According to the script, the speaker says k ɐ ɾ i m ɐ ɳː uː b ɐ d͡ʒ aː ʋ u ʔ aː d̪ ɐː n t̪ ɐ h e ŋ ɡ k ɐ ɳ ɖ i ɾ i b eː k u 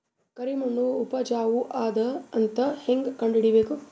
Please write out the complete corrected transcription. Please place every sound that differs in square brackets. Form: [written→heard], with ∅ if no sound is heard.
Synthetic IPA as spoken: k ɐ ɾ i m ɐ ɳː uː [b→p] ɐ d͡ʒ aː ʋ u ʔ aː d̪ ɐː n t̪ ɐ h e ŋ ɡ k ɐ ɳ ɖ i [ɾ→ɽ] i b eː k u

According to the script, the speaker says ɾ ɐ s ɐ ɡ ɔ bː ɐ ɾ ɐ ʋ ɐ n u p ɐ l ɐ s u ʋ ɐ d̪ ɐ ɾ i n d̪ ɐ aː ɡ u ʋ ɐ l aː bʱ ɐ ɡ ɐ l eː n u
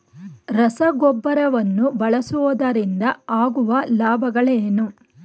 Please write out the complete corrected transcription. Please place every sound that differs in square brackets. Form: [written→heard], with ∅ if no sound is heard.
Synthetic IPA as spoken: ɾ ɐ s ɐ ɡ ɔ bː ɐ ɾ ɐ ʋ ɐ [n→nː] u [p→b] ɐ [l→ɭ] ɐ s u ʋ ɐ d̪ ɐ ɾ i n d̪ ɐ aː ɡ u ʋ ɐ l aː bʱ ɐ ɡ ɐ [l→ɭ] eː n u

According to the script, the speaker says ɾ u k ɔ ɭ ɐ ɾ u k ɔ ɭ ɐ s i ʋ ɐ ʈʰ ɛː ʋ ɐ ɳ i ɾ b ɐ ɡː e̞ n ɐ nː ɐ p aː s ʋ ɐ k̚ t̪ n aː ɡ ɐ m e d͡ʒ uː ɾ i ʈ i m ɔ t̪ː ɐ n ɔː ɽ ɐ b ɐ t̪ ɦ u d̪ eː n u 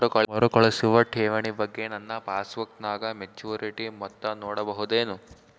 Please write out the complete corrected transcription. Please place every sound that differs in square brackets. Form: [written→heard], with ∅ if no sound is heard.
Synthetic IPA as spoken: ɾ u k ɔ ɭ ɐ ɾ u k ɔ ɭ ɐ s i ʋ ɐ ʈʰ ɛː ʋ ɐ ɳ i [ɾ→∅] b ɐ ɡː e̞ n ɐ nː ɐ p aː s ʋ ɐ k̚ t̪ n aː ɡ ɐ m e d͡ʒ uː ɾ i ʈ i m ɔ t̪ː ɐ n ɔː ɽ ɐ b ɐ [t̪→∅] ɦ u d̪ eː n u

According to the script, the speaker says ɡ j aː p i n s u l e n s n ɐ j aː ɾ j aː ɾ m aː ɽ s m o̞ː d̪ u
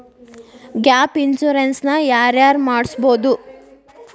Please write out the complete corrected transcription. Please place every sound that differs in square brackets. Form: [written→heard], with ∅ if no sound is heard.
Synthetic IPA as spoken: ɡ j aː p i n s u [l→ɾ] e n s n ɐ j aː ɾ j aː ɾ m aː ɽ s [m→b] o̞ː d̪ u

